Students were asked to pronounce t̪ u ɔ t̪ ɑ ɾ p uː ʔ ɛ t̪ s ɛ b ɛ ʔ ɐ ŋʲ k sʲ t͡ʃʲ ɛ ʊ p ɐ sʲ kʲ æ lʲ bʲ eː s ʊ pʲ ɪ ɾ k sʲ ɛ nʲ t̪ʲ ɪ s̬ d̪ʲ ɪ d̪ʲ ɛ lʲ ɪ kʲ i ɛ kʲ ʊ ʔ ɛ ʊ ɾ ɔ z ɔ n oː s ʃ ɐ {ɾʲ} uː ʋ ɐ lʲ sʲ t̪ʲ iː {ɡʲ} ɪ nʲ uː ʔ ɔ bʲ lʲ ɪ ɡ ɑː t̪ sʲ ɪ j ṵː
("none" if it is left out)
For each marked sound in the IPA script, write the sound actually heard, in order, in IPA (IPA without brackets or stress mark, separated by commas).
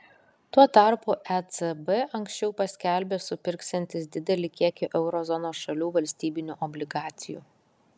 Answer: lʲ, bʲ